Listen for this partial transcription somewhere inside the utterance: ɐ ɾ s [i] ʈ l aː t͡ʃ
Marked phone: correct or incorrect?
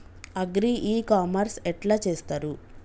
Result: incorrect